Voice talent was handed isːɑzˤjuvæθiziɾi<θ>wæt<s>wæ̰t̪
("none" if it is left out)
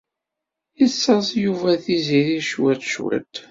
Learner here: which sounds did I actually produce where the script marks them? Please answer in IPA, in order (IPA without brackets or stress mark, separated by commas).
ʃ, ʃ